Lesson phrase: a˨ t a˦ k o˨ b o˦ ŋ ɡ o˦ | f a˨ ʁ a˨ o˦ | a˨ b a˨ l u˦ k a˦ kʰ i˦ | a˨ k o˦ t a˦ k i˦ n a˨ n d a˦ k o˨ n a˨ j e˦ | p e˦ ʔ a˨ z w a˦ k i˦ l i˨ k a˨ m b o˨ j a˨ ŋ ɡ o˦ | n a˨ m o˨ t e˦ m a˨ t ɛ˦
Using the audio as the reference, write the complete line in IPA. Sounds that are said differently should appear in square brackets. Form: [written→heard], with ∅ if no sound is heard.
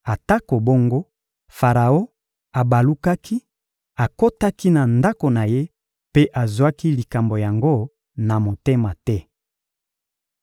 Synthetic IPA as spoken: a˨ t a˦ k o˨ b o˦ ŋ ɡ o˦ | f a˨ ʁ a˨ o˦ | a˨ b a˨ l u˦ k a˦ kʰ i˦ | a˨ k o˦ t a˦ k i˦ n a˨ n d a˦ k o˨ n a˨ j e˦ | p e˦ ʔ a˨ z w a˦ k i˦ l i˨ k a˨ m b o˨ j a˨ ŋ ɡ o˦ | n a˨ m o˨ t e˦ m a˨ t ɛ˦

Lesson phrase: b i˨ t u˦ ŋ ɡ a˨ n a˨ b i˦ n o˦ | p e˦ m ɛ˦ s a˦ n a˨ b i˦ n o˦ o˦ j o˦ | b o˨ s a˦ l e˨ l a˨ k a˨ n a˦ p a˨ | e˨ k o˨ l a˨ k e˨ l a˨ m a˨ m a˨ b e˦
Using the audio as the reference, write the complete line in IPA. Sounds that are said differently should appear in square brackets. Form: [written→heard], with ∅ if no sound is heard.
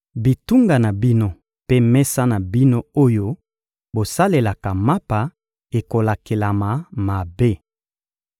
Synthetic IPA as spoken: b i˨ t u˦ ŋ ɡ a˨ n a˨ b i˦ n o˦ | p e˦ m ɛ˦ s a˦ n a˨ b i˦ n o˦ o˦ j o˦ | b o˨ s a˦ l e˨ l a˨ k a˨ [n→m] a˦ p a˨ | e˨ k o˨ l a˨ k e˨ l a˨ m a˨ m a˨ b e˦

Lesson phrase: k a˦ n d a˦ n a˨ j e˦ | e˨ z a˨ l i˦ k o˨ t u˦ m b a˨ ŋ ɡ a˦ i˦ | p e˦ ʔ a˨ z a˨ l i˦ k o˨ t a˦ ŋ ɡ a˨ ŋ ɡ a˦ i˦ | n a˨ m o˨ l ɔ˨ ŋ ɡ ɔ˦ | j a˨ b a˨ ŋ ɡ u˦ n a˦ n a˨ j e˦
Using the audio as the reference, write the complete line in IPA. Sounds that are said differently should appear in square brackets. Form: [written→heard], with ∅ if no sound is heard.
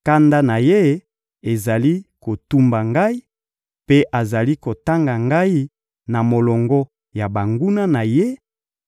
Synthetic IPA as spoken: k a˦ n d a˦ n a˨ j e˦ | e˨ z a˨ l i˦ k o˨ t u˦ m b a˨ ŋ ɡ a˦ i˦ | p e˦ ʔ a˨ z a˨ l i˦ k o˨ t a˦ ŋ ɡ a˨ ŋ ɡ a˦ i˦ | n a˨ m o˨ l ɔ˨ ŋ ɡ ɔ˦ | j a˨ b a˨ ŋ ɡ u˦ n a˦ n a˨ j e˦

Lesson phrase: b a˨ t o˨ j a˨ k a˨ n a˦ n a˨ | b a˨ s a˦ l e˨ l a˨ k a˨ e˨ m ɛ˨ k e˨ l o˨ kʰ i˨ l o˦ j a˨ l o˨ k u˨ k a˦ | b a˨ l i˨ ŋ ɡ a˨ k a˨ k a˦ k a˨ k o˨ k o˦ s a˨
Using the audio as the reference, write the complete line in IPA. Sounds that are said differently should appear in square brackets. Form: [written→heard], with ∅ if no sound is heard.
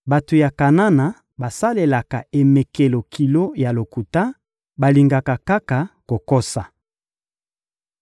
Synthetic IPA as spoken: b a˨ t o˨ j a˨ k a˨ n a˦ n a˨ | b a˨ s a˦ l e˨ l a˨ k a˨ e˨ m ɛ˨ k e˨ l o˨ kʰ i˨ l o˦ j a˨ l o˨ k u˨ [k→t] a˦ | b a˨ l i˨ ŋ ɡ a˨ k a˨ k a˦ k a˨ k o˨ k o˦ s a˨

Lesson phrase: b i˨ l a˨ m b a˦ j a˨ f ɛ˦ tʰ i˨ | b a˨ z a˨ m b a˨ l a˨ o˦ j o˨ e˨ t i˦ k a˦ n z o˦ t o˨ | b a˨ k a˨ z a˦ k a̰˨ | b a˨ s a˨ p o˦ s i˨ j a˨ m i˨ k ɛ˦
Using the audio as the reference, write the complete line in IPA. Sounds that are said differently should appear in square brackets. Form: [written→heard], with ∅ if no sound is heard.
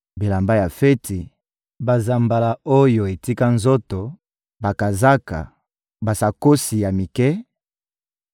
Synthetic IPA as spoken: b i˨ l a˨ m b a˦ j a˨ f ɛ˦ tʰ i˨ | b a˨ z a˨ m b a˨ l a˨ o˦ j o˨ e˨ t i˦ k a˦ n z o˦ t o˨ | b a˨ k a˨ z a˦ k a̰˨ | b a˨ s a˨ [p→k] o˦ s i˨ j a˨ m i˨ k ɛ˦

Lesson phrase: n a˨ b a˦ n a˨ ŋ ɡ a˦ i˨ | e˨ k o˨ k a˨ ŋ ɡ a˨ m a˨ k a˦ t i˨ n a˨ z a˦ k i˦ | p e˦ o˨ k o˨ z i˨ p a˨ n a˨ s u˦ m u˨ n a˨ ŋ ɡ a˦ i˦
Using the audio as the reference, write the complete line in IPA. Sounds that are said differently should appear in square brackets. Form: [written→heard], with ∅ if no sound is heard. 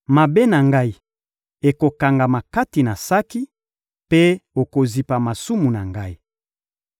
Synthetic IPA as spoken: [n→m] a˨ b [a˦→e˦] n a˨ ŋ ɡ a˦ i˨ | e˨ k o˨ k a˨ ŋ ɡ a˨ m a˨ k a˦ t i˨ n a˨ [z→s] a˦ k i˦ | p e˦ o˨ k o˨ z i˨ p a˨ [n→m] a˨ s u˦ m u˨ n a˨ ŋ ɡ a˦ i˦

